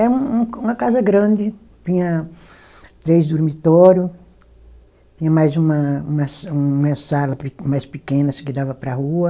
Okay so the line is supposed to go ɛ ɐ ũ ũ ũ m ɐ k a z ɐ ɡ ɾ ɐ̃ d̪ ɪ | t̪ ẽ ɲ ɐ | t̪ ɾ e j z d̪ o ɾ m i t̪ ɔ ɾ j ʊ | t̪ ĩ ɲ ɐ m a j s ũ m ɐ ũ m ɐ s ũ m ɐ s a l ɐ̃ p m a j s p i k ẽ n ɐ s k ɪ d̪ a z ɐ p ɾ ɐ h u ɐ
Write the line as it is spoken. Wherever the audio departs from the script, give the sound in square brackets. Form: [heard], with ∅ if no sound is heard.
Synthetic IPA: ɛ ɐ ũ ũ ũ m ɐ k a z ɐ ɡ ɾ ɐ̃ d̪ ɪ | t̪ [ĩ] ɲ ɐ | t̪ ɾ e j z d̪ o ɾ m i t̪ ɔ ɾ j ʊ | t̪ ĩ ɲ ɐ m a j [z] ũ m ɐ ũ m ɐ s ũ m ɐ s a l [ɐ] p m a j s p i k ẽ n ɐ s k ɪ d̪ a [v] ɐ p ɾ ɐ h u ɐ